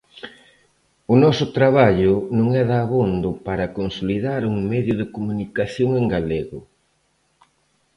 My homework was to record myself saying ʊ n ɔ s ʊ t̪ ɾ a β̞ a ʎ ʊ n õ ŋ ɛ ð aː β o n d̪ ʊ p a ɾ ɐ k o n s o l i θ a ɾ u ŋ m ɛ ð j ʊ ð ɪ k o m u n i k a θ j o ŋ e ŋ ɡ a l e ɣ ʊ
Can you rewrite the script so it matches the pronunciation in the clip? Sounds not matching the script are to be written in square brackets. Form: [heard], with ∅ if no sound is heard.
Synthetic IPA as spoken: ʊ n ɔ s ʊ t̪ ɾ a β̞ a ʎ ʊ n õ ŋ ɛ ð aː β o n d̪ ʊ p a ɾ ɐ k o n s o l i [ð] a ɾ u ŋ m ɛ ð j ʊ ð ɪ k o m u n i k a θ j o ŋ e ŋ ɡ a l e ɣ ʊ